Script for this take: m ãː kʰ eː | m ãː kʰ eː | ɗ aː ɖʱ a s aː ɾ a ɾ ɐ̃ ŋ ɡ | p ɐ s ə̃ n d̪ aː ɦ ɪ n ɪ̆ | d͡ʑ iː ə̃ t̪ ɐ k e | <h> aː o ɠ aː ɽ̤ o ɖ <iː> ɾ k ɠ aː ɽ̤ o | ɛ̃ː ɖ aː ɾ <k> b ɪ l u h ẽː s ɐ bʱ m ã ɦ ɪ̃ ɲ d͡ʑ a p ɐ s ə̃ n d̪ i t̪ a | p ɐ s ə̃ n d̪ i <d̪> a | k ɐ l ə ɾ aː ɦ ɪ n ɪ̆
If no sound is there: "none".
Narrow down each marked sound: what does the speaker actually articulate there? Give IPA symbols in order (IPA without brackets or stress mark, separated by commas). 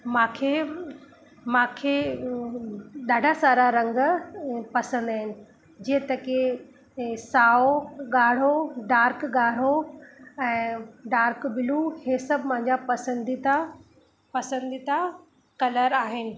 s, aː, k, t̪